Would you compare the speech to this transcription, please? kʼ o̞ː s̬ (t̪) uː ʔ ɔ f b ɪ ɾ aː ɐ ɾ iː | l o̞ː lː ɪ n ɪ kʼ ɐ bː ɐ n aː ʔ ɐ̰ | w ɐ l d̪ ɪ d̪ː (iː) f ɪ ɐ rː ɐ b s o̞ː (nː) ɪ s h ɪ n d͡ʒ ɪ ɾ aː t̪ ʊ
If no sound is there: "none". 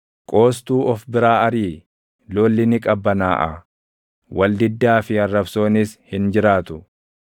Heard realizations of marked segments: t̪, aː, n

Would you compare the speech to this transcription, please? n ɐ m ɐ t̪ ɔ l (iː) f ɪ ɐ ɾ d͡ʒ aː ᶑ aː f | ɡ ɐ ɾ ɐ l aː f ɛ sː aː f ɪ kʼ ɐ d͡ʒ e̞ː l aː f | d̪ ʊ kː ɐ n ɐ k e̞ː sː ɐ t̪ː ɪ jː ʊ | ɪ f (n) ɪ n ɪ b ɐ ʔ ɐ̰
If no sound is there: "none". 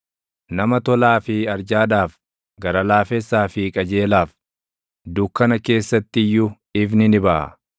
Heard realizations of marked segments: aː, n

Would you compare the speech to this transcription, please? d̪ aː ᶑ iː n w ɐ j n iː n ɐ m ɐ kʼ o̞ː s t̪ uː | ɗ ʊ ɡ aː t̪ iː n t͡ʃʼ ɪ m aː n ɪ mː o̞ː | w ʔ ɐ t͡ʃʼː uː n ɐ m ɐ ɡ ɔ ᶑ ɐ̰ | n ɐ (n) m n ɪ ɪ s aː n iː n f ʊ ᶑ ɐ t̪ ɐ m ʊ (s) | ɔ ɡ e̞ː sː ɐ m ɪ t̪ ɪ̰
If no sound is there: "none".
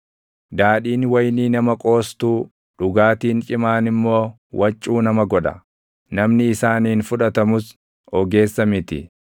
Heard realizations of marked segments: none, s

